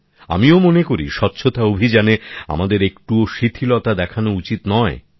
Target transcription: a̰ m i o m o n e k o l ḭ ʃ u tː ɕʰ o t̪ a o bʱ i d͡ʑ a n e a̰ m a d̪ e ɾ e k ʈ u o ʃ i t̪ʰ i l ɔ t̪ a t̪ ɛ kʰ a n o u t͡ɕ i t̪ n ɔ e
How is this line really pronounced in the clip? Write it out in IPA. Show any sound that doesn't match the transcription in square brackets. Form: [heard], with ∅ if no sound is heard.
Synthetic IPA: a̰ m i o m o n e k o [ɾ] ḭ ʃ [ɔ] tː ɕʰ o t̪ a o bʱ i d͡ʑ a n e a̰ m a d̪ e ɾ e k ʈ u o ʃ i t̪ʰ i l ɔ t̪ a [d̪] ɛ kʰ a n o u t͡ɕ i t̪ n ɔ e